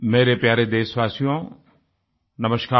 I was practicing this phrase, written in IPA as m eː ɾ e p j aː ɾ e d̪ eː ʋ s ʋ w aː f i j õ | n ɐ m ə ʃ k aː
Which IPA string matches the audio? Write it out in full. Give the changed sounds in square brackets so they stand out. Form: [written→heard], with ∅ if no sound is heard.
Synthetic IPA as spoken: m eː ɾ e p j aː ɾ e d̪ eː [ʋ→∅] s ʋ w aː [f→s] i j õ | n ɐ m ə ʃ k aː